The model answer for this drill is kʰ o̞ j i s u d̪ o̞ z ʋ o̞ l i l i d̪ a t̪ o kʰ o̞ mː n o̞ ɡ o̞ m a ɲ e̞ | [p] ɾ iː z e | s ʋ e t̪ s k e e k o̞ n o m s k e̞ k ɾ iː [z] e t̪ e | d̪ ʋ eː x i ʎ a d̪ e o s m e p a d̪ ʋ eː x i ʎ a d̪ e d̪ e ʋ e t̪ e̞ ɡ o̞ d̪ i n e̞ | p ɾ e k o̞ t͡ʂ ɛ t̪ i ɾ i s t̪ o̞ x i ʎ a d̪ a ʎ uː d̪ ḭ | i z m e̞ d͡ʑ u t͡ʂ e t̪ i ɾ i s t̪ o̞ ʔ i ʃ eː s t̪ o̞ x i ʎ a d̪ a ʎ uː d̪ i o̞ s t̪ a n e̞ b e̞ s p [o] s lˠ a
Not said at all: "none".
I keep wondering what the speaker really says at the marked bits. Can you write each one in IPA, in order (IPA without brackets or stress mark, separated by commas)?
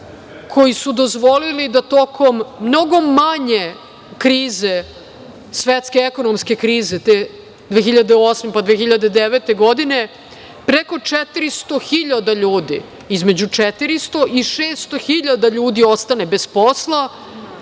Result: k, z, o